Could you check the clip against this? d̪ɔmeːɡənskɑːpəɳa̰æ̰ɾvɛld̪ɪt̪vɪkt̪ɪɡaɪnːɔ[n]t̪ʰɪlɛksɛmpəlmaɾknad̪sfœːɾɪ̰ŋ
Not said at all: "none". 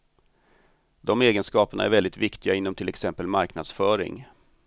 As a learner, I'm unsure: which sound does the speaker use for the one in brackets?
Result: m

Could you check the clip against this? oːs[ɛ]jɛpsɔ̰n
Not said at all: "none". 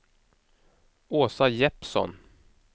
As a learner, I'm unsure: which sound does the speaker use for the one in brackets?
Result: a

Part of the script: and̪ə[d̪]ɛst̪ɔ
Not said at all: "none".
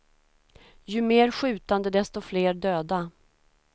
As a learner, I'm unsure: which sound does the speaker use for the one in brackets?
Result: d̪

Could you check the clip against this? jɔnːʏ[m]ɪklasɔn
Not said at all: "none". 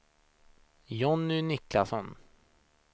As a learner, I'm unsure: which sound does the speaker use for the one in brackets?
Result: n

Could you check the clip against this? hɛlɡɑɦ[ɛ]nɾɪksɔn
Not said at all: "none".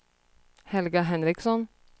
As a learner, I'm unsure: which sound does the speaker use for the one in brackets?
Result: ɛ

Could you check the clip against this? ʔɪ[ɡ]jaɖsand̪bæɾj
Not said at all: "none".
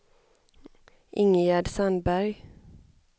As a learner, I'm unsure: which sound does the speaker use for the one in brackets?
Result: ŋ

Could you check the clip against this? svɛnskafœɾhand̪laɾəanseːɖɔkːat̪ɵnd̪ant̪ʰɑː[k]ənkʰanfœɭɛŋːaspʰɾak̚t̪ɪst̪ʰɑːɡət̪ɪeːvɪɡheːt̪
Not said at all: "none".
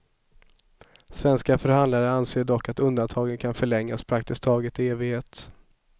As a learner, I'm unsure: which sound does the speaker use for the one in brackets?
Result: ɡ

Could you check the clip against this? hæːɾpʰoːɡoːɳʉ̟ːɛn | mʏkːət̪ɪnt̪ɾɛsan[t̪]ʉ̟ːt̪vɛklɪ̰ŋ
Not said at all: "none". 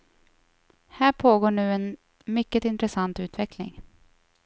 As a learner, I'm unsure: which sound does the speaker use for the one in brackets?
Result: t̪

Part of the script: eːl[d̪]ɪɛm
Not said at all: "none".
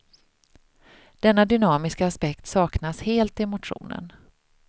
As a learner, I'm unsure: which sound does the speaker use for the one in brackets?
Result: t̪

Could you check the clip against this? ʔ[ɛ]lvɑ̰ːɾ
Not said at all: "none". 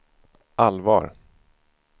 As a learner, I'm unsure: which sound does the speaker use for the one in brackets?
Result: a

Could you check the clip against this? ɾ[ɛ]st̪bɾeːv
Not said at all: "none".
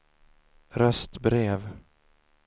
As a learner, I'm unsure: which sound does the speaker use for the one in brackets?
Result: œ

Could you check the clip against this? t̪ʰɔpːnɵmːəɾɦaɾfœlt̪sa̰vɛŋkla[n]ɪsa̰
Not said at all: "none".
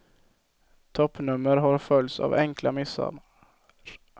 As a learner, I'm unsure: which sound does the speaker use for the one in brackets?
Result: m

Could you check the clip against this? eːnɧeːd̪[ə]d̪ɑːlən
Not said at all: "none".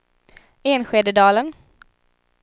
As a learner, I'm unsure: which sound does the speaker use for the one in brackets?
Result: ə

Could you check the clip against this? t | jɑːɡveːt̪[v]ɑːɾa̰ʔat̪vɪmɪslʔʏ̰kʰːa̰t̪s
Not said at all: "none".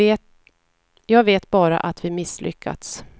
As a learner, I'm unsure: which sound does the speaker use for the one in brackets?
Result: b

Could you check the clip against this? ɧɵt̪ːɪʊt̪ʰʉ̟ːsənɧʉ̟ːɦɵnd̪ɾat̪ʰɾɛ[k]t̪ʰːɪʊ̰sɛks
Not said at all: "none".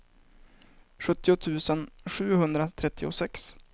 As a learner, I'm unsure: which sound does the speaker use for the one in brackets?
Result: none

